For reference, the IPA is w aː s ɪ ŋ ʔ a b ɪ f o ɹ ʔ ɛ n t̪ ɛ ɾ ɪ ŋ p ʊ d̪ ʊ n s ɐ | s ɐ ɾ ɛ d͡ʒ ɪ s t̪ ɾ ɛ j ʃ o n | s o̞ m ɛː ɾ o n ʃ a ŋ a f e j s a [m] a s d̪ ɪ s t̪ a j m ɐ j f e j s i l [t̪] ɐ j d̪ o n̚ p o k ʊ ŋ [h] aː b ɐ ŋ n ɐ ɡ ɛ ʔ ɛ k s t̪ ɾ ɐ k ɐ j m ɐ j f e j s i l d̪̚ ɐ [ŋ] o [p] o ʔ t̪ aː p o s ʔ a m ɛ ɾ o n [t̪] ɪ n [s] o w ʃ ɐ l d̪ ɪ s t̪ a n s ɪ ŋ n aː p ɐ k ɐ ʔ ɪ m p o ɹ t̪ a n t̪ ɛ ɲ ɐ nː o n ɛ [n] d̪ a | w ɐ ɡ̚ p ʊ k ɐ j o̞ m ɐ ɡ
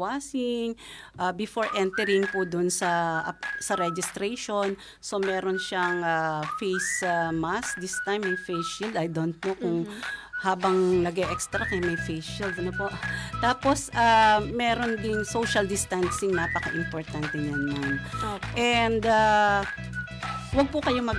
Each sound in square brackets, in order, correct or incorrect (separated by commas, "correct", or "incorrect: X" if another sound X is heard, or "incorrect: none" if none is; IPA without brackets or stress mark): correct, incorrect: d̪, correct, incorrect: n, correct, incorrect: d̪, correct, correct